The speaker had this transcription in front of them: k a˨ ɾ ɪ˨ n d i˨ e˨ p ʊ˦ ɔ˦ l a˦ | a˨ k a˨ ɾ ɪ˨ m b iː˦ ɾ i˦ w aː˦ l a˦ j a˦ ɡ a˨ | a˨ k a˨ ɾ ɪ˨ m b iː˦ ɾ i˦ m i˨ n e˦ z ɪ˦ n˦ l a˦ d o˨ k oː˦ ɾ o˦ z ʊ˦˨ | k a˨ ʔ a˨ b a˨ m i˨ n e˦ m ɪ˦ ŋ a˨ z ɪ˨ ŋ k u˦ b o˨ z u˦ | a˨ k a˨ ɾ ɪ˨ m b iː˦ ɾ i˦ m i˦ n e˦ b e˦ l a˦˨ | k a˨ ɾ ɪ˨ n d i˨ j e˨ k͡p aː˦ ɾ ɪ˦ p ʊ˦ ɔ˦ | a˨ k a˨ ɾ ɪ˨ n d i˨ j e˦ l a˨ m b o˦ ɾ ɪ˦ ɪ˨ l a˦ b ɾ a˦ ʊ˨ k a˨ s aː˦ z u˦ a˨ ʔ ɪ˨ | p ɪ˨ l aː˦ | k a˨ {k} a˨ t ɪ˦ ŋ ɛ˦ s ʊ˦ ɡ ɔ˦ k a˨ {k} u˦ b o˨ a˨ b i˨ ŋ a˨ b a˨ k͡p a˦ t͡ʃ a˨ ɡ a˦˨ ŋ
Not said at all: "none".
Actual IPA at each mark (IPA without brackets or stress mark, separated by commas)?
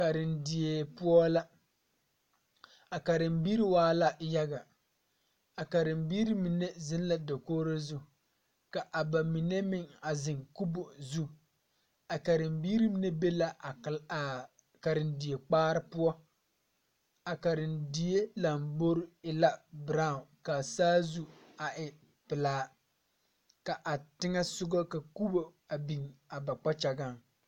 ʔ, k